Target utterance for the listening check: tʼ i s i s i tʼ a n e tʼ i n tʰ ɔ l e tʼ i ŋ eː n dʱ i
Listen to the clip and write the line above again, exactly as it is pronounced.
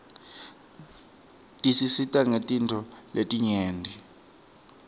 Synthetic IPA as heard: tʼ i s i s i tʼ a ŋ e tʼ i n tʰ ɔ l e tʼ i ɲ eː n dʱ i

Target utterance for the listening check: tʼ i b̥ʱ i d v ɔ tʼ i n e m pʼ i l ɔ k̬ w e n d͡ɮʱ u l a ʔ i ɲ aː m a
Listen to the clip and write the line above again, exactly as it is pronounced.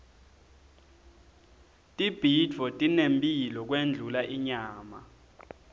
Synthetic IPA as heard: tʼ i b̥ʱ i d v ɔ tʼ i n e m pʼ i l ɔ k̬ w e n d͡ɮʱ u l a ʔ i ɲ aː m a

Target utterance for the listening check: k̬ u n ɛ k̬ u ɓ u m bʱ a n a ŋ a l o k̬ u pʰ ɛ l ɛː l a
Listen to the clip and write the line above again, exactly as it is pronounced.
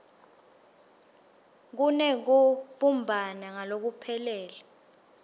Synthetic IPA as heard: k̬ u n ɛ k̬ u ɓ u m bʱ a n a ŋ a l o k̬ u pʰ ɛ l ɛː l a

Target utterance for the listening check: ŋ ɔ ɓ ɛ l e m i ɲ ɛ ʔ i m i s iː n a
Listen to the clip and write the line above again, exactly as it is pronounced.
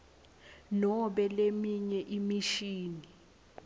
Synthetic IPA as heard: n ɔ ɓ ɛ l e m i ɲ ɛ ʔ i m i ʃ iː n i

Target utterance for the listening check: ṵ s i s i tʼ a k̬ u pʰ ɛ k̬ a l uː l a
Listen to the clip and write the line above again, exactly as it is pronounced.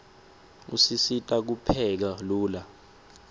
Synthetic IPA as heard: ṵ s i s i tʼ a k̬ u pʰ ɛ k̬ a l uː l a

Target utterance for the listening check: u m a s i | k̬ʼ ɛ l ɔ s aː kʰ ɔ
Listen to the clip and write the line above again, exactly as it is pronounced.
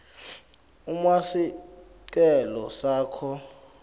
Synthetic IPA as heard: u m a s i | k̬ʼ ɛ l ɔ s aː kʰ ɔ

